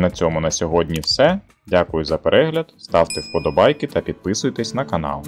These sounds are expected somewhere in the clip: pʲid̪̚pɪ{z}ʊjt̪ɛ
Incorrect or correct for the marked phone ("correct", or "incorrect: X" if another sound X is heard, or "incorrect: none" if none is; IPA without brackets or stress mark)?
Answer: incorrect: s